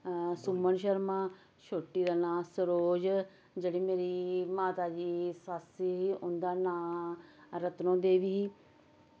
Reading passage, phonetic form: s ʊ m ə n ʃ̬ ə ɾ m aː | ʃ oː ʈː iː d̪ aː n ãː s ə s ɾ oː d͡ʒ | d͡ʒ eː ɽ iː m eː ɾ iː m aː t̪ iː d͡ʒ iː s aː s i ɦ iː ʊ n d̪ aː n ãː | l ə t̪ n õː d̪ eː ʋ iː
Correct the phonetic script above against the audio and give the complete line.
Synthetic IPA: s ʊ m ə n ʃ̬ ə ɾ m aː | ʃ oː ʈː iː d̪ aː n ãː s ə ɾ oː d͡ʒ | d͡ʒ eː ɽ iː m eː ɾ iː m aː t̪ aː d͡ʒ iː s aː s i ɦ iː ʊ n d̪ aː n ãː | ɾ ə t̪ n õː d̪ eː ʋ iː